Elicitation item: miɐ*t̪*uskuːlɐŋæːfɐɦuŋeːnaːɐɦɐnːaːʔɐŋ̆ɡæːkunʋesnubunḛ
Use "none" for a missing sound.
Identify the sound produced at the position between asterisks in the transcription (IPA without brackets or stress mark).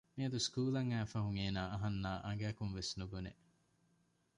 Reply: d̪